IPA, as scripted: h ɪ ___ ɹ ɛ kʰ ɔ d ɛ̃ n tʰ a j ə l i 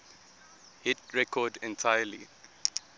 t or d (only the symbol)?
t